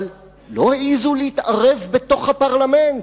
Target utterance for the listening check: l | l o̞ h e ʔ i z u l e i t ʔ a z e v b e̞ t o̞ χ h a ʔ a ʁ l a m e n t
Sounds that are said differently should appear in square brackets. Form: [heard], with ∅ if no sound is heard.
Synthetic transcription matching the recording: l | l o̞ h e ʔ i z u l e i t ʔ a [ʁ] e v b e̞ t o̞ χ h a [p] a ʁ l a m e n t